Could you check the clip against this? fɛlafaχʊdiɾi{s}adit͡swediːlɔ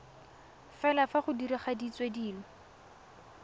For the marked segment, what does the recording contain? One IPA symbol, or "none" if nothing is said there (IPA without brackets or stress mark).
χ